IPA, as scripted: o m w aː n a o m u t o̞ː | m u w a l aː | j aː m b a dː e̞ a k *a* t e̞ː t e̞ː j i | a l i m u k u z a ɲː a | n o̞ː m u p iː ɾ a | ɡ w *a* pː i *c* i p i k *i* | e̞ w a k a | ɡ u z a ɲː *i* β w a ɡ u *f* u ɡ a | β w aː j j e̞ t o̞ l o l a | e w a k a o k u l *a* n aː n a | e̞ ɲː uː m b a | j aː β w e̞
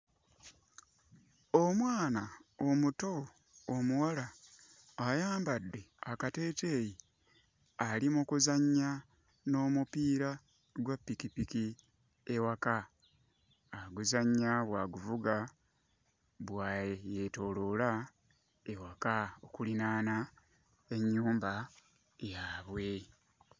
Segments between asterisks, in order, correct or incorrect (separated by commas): correct, correct, incorrect, correct, incorrect, incorrect, incorrect